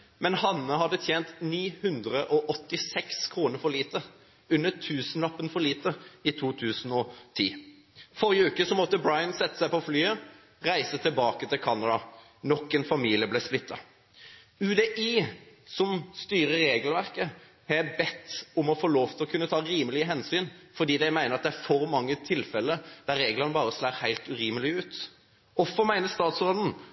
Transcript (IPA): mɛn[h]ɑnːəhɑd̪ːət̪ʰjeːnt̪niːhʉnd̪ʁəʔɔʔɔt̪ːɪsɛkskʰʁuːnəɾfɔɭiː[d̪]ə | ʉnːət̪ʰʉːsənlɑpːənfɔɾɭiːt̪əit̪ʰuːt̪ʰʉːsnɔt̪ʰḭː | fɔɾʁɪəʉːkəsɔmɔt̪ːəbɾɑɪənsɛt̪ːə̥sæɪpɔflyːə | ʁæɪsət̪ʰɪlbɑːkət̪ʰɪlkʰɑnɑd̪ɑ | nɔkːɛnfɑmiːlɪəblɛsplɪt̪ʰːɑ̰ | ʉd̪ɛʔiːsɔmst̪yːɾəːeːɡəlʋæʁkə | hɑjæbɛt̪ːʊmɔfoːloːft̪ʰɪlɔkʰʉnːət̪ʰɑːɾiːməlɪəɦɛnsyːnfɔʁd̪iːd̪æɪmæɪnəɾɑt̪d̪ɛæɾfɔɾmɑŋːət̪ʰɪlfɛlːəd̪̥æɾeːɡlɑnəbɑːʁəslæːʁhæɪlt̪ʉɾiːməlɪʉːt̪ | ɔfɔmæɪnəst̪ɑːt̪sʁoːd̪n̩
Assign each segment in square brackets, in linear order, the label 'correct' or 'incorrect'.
correct, incorrect: t̪

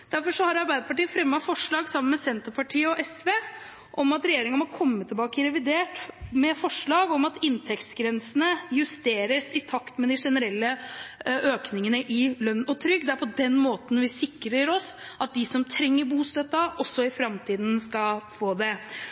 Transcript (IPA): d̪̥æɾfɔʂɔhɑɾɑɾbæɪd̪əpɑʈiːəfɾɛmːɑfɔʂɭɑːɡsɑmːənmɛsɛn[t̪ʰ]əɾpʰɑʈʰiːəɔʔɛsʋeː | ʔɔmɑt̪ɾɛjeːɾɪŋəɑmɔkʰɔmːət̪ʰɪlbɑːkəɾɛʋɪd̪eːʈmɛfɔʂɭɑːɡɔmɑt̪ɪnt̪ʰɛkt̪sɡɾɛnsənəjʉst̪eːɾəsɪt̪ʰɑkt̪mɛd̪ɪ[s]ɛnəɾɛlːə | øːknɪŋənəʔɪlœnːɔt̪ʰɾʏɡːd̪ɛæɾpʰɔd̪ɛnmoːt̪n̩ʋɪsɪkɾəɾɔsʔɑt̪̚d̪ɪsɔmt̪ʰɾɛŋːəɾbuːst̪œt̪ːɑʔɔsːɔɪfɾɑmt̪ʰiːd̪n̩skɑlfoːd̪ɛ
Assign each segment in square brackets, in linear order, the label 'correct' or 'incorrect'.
incorrect: t̪, incorrect: ʂ

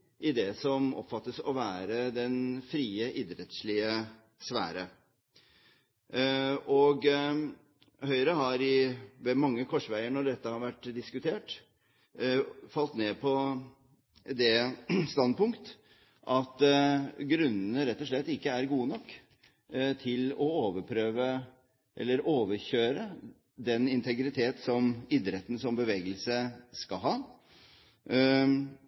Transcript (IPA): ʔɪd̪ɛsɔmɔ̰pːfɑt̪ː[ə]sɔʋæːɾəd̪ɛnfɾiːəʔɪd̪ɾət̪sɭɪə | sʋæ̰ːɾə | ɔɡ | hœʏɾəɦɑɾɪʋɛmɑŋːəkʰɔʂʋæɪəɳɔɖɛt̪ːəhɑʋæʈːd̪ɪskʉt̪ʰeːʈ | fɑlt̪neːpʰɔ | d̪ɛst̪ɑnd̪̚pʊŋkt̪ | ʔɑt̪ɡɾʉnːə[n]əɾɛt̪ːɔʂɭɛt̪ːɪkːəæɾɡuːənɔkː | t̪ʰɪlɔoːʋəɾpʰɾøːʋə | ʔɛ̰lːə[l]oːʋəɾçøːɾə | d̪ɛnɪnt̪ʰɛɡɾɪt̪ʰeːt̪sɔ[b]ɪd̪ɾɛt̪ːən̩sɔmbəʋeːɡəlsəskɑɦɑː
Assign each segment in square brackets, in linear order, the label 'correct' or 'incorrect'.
correct, correct, incorrect: ɾ, incorrect: m

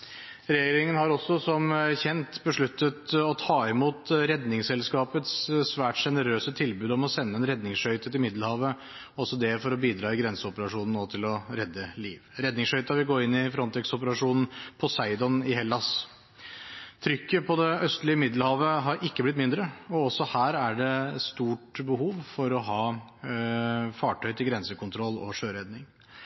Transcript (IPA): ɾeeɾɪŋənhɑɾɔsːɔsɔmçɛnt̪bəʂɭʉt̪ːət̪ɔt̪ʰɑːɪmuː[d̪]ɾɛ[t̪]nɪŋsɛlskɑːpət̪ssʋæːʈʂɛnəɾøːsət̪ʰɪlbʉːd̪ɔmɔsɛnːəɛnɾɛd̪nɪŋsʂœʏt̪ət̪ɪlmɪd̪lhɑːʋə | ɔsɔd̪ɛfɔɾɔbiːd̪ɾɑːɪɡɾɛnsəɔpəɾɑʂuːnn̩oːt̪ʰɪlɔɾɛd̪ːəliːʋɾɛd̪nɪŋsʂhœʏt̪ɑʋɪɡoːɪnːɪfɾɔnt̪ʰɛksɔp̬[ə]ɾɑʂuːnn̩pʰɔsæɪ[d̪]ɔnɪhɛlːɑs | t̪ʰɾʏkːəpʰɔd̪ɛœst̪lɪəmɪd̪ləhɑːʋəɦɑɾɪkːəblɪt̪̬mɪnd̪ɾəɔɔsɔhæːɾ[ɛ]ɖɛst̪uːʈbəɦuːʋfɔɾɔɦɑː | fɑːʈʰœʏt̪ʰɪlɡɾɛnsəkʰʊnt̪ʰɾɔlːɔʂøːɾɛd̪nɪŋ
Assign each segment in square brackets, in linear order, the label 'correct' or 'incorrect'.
incorrect: t̪, incorrect: d̪, correct, correct, incorrect: æ

